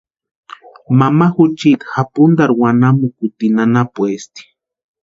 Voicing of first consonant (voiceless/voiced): voiced